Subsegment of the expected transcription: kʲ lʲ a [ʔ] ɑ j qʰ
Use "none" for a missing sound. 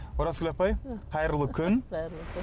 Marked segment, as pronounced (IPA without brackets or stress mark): p